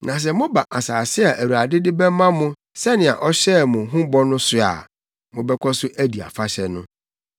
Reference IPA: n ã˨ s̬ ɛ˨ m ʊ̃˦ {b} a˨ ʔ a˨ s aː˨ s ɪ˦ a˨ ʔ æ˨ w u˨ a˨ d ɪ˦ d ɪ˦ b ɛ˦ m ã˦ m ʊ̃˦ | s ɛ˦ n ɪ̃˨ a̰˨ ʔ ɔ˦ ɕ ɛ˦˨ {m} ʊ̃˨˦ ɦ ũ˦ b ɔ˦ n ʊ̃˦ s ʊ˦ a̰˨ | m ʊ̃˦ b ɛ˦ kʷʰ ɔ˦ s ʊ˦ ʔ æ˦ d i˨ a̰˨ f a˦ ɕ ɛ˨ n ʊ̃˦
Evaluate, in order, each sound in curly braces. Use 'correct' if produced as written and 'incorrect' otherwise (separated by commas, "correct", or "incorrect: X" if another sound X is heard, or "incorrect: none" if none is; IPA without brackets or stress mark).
correct, correct